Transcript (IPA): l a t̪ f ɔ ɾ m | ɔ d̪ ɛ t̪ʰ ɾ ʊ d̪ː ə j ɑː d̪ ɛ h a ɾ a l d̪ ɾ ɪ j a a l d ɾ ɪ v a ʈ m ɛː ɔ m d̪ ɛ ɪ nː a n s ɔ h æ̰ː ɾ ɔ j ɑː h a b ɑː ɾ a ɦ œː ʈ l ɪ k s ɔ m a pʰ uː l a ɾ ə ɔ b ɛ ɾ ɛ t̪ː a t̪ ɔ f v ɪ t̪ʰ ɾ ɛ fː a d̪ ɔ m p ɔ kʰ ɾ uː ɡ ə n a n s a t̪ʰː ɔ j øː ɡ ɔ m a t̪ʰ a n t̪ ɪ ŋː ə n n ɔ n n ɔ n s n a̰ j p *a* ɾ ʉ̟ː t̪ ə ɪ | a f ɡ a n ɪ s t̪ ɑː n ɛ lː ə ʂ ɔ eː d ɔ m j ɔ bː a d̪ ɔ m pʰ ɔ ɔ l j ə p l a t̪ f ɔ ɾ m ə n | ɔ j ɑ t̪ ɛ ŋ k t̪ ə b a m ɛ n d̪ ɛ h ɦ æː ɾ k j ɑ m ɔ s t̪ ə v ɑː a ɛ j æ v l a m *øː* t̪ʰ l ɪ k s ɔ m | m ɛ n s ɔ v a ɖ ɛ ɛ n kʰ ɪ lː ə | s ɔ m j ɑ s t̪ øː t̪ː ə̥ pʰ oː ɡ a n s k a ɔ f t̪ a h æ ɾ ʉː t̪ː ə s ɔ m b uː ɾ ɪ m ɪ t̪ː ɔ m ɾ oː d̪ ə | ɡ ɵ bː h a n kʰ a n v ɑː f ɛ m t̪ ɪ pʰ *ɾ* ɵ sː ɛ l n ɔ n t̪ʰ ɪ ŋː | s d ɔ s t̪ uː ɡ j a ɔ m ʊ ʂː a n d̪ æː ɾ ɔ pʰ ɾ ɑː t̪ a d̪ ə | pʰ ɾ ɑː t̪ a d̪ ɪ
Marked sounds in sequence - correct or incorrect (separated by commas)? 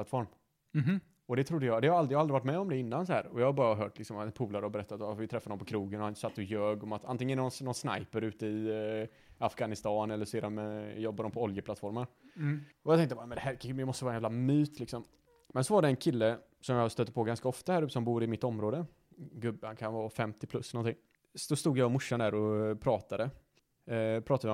incorrect, incorrect, incorrect